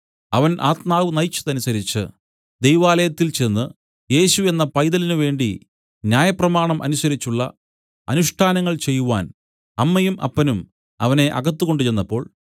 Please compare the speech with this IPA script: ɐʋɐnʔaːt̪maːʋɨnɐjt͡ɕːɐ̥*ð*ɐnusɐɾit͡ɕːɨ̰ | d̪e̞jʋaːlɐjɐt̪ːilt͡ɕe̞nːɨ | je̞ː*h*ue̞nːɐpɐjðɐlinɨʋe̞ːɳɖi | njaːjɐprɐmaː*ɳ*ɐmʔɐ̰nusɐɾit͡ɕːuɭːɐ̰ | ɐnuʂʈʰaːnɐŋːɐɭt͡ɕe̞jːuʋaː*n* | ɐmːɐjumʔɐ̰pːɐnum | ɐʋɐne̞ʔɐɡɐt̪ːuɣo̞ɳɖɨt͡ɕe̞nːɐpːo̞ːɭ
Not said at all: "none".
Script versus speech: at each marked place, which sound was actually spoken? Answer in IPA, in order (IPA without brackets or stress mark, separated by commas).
ð, ɕ, ɳ, n